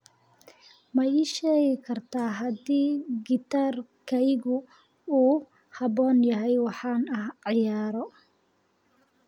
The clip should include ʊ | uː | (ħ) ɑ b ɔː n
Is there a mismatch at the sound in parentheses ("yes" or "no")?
yes